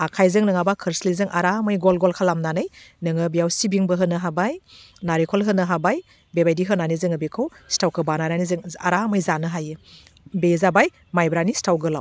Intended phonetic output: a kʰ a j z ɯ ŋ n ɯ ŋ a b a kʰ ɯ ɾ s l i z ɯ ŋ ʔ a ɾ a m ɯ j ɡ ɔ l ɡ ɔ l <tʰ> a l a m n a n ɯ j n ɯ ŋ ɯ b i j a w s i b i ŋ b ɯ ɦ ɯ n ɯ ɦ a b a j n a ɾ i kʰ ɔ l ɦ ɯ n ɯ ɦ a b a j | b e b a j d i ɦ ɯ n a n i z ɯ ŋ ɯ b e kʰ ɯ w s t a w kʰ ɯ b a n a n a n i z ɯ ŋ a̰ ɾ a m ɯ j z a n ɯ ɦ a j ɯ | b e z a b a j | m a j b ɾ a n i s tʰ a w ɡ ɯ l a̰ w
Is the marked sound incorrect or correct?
incorrect